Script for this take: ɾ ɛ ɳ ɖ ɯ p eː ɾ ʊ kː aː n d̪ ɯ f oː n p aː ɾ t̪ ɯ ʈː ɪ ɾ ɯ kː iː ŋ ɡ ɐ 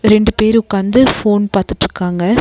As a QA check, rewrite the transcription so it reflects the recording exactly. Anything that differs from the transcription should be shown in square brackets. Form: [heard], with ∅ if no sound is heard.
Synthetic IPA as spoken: ɾ ɛ ɳ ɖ ɯ p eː ɾ ʊ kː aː n d̪ ɯ f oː n p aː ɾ t̪ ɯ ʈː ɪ ɾ ɯ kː [aː] ŋ ɡ ɐ